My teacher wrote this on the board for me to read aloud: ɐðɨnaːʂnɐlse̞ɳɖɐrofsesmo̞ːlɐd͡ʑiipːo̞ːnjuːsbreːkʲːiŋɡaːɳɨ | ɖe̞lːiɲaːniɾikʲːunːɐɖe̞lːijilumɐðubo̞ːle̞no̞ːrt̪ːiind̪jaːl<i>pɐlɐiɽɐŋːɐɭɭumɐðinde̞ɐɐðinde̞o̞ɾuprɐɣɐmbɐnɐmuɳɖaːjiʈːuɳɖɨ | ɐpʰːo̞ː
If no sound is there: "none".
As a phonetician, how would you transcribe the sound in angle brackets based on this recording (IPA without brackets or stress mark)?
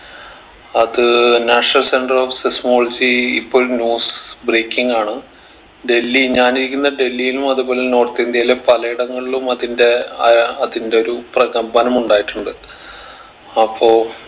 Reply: e